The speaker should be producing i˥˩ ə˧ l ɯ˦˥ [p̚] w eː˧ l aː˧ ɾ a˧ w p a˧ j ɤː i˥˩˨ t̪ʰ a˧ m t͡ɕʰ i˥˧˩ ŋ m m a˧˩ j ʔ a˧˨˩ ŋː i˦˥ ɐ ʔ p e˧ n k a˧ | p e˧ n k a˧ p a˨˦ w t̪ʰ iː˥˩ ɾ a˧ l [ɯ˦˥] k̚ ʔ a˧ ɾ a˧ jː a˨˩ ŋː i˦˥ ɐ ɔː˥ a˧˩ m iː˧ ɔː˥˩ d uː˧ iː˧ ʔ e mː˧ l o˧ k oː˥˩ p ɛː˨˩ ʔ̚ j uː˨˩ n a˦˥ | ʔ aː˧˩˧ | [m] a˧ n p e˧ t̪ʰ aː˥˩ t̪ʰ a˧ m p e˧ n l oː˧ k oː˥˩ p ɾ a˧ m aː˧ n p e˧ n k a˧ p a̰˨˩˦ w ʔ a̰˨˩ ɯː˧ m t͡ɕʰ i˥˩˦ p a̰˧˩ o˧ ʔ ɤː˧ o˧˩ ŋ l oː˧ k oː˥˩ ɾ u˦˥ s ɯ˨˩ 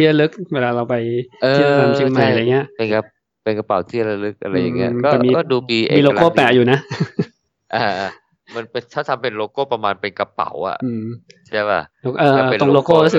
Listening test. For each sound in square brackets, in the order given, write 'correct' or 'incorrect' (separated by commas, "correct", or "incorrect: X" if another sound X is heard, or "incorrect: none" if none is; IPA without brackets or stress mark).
incorrect: k̚, correct, correct